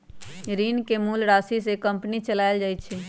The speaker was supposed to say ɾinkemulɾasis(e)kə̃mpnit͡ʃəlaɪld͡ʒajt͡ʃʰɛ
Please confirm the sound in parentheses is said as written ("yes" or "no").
yes